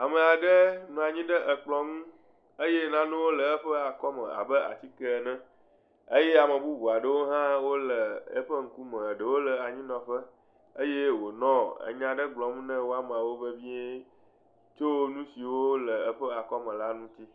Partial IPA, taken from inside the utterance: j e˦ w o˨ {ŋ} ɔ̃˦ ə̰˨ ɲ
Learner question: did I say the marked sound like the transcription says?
no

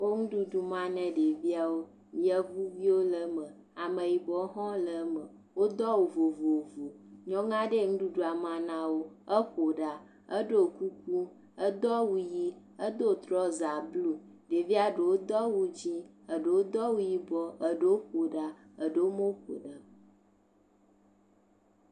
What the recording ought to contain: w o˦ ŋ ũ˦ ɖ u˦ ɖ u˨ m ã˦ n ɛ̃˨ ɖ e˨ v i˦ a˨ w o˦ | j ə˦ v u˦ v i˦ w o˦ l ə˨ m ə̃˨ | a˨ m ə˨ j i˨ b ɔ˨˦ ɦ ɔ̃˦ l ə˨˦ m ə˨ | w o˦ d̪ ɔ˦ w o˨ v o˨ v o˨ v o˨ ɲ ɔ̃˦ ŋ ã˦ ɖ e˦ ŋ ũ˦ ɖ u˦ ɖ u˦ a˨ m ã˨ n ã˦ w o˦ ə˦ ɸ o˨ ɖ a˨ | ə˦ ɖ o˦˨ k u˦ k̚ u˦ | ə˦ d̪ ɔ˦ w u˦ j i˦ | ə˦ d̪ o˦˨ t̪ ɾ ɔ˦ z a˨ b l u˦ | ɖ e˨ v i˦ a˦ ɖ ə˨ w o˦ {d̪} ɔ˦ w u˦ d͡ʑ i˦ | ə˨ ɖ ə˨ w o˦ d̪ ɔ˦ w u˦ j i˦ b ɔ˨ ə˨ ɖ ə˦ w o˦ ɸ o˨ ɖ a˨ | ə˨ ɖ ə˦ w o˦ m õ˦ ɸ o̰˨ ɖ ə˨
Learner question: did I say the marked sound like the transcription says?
yes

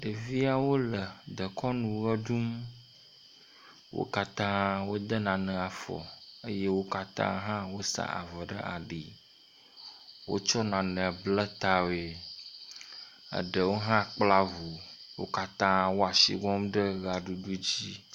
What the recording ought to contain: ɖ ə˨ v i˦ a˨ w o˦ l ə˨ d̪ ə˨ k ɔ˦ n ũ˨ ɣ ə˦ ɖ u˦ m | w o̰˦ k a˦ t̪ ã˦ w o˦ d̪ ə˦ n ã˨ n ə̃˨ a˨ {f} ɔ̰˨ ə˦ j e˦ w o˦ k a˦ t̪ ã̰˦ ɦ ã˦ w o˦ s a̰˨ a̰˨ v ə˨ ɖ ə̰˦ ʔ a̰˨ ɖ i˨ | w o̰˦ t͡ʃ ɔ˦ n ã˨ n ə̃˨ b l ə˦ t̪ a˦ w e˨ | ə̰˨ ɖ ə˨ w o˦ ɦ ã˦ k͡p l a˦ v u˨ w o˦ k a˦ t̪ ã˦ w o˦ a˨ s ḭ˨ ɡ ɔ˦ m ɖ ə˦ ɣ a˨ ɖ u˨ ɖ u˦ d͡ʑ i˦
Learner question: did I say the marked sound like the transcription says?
yes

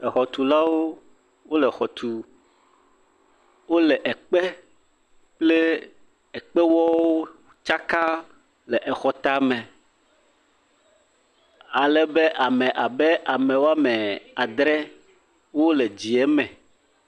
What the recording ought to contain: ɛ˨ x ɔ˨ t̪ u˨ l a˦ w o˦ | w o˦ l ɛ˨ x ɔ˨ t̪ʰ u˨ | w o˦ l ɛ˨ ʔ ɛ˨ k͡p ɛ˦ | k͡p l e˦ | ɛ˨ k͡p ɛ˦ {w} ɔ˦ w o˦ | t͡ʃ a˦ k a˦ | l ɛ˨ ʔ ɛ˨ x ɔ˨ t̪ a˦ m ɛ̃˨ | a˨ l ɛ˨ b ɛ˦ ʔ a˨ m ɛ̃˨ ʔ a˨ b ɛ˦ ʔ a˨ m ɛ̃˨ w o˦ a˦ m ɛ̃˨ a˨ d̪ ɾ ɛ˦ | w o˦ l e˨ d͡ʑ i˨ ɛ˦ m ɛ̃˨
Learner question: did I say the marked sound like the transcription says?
yes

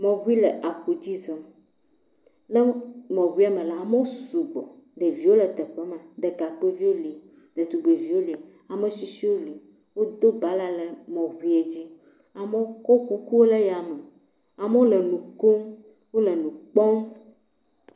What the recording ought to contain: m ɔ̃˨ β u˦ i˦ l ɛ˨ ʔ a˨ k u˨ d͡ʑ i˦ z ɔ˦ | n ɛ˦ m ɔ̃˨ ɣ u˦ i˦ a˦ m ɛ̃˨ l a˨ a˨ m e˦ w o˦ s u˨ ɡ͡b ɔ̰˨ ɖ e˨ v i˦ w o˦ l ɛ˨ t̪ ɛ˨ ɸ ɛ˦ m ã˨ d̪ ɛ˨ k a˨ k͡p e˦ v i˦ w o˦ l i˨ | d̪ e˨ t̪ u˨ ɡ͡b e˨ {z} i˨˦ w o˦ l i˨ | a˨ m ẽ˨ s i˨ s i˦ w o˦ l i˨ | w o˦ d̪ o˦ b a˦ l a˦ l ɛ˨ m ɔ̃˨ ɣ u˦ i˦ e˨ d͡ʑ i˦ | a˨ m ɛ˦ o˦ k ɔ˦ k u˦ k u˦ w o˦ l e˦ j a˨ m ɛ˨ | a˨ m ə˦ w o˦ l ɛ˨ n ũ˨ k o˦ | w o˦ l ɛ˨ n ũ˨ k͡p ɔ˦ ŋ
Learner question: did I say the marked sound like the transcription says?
no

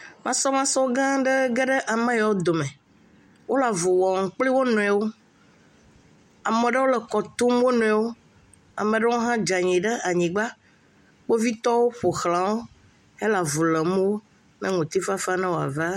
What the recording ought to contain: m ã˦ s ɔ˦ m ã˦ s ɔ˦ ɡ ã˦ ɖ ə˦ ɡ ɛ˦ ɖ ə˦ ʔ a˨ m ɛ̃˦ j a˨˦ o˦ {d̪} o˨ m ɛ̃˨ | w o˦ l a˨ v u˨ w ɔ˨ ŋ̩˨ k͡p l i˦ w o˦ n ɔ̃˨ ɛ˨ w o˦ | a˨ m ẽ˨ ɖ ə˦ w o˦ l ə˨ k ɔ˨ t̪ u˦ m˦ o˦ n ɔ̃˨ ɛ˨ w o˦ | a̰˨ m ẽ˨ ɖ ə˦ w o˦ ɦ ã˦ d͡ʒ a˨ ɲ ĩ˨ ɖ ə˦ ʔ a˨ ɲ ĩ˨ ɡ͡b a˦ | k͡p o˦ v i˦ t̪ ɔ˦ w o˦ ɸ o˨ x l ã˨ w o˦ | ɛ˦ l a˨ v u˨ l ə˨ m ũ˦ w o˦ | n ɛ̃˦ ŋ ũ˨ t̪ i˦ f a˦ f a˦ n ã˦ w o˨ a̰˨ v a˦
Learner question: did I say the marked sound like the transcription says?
yes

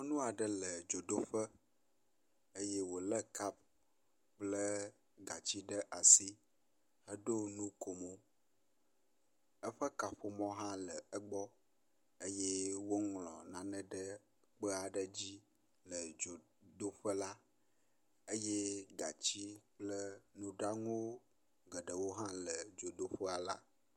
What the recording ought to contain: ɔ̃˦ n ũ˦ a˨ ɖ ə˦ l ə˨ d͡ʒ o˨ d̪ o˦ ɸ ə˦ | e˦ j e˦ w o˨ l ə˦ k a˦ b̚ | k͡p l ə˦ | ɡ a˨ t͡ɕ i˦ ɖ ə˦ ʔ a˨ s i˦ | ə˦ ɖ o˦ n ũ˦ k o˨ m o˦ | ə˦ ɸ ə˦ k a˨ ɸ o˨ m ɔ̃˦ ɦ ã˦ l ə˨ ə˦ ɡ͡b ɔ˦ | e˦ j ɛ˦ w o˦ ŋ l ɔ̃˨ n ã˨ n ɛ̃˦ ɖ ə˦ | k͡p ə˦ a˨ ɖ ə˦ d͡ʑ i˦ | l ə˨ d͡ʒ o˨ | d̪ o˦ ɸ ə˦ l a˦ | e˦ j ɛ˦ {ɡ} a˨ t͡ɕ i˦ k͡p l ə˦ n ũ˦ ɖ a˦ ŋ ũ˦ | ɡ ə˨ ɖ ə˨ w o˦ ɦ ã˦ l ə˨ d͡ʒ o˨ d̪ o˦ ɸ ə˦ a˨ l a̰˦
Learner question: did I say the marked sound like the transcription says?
yes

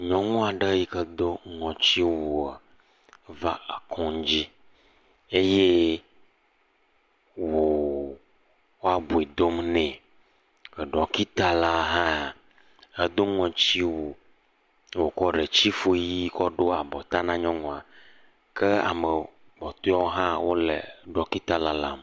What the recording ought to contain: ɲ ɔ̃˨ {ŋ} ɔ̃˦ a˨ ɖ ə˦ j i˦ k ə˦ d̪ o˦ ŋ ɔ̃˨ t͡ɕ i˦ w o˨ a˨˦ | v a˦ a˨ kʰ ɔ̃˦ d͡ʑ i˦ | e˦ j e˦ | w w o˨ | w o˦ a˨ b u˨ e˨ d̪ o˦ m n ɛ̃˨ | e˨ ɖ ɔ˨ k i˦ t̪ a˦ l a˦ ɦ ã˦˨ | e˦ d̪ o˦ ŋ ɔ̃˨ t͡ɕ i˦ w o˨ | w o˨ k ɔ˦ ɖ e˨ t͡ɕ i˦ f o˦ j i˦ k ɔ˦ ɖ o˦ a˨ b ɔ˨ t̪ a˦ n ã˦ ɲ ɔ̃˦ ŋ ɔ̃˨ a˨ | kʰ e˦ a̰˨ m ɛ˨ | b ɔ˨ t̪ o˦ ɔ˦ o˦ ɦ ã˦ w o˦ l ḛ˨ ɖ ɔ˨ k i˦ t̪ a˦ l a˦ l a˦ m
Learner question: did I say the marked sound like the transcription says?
yes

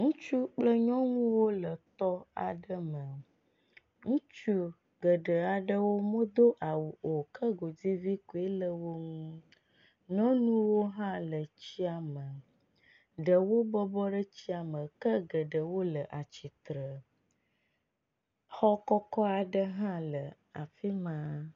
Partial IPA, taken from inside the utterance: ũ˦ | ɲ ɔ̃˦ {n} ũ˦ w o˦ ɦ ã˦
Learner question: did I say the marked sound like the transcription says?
yes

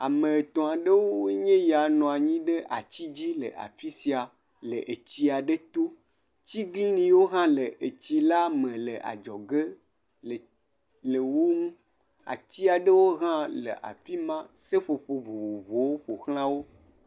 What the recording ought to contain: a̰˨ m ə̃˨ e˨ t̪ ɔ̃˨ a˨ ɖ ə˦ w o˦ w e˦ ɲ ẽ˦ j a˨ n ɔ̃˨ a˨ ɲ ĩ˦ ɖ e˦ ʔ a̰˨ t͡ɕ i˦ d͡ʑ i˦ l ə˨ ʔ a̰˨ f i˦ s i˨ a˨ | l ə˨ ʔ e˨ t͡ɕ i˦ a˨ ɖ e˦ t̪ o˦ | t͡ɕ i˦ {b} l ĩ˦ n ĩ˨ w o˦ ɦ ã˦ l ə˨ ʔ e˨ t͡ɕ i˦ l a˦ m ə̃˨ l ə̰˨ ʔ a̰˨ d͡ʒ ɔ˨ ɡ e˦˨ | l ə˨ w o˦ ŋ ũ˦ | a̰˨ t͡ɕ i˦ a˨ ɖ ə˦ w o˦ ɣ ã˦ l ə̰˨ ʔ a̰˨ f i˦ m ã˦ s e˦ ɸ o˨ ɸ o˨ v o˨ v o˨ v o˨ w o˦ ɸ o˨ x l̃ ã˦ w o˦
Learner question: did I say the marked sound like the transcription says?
no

